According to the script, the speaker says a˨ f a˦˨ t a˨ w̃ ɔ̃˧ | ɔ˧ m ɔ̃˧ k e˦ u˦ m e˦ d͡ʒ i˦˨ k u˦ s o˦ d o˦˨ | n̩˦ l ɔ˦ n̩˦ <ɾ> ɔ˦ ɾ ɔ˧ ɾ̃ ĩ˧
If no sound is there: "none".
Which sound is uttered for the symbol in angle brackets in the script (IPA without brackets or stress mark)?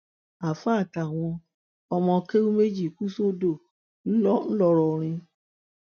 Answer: l